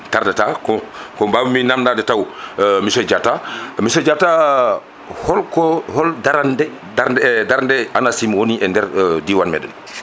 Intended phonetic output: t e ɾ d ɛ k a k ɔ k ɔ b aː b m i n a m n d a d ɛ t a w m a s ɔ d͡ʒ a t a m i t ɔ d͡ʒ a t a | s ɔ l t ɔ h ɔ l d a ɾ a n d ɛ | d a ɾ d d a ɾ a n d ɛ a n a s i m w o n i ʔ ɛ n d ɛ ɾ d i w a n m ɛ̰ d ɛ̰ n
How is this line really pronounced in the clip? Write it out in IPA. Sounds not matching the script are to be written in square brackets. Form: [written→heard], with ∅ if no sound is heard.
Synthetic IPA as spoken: t [e→a] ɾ d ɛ [k→t] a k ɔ k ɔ b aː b m i n a m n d a d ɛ t a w m [a→i] s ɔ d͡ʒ a t a m i [t→s] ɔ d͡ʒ a t a | [s→h] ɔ l [t→k] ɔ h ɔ l d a ɾ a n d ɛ | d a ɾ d d a ɾ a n d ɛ a n a s i m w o n i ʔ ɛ n d ɛ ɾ d i w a n m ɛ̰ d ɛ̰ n